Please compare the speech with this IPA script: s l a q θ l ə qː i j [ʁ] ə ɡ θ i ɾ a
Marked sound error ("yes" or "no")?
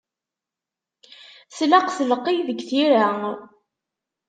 yes